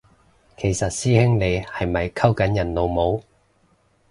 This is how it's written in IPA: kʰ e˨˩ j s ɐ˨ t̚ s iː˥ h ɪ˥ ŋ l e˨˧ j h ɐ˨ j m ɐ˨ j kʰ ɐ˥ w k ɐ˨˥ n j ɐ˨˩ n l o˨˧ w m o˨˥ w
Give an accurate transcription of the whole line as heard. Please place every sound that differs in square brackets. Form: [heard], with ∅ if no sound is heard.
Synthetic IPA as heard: kʰ e˨˩ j s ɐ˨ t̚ s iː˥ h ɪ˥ ŋ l e˨˧ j h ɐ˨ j m ɐ˨ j kʰ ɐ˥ w k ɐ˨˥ n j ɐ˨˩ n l o˨˧ w m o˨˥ w